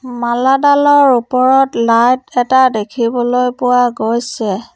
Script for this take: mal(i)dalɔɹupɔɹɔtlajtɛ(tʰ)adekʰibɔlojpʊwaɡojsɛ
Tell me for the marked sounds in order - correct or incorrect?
incorrect: a, incorrect: t

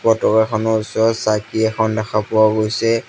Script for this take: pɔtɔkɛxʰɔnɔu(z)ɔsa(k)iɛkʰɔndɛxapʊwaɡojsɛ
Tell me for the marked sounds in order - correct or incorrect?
incorrect: s, correct

